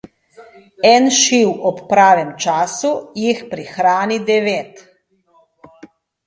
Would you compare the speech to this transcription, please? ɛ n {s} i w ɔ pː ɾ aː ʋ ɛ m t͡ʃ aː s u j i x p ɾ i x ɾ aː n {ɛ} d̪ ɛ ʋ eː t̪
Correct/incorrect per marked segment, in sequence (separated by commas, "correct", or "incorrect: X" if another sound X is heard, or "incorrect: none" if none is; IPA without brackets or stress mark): incorrect: ʃ, incorrect: i